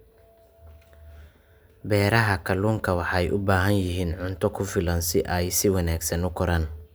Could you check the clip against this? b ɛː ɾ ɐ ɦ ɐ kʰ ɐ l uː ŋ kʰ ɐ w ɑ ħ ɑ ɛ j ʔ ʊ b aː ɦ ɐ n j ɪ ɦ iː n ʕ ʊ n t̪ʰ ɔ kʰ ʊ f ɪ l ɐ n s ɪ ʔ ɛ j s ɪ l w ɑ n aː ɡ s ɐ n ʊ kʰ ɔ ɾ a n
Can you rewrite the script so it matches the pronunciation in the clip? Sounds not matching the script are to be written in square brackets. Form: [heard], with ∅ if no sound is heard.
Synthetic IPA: b ɛː ɾ ɐ ɦ ɐ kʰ ɐ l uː ŋ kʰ ɐ w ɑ ħ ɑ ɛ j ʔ ʊ b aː ɦ ɐ n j ɪ ɦ iː n ʕ ʊ n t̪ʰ ɔ kʰ ʊ f ɪ l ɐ n s ɪ ʔ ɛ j s ɪ [∅] w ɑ n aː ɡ s ɐ n ʊ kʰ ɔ ɾ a n